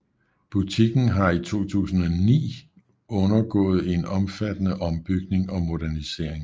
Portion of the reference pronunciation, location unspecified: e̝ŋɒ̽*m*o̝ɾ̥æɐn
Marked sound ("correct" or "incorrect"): correct